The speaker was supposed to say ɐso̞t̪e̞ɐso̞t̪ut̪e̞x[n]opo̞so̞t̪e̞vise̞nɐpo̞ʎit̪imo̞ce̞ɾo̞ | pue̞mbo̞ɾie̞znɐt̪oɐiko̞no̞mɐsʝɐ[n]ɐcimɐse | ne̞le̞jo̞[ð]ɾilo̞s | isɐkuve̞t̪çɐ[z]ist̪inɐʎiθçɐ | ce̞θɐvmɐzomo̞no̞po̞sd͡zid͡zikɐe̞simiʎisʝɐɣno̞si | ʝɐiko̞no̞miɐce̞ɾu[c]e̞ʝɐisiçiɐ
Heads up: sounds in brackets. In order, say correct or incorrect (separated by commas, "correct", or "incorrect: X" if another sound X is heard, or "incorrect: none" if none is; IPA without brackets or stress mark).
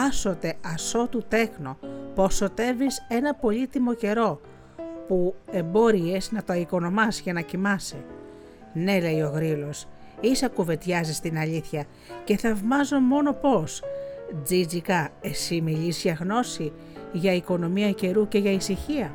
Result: correct, correct, incorrect: ɣ, correct, correct